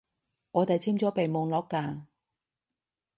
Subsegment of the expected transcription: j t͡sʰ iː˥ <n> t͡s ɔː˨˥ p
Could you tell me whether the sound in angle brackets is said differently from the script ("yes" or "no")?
yes